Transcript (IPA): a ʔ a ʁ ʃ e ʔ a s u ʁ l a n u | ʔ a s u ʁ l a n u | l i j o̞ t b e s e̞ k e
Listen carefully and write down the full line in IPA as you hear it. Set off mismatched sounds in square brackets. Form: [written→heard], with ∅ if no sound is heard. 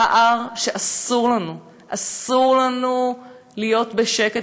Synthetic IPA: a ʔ a ʁ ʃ e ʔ a s u ʁ l a n u | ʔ a s u ʁ l a n u | l i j o̞ t b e [s→ʃ] e̞ k e

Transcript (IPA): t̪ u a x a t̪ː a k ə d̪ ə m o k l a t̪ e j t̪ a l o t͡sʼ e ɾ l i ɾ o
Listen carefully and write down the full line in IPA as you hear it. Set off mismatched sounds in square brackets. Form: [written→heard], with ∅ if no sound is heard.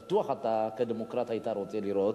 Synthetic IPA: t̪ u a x a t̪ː a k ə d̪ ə m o k [l→ɾ] a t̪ [e→a] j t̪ a [l→ɾ] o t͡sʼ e [ɾ→∅] l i ɾ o

